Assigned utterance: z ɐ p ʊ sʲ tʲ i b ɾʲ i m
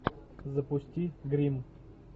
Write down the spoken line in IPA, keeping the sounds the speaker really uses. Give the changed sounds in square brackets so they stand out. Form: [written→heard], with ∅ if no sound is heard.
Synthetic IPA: z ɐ p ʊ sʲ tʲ i [b→ɡ] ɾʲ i m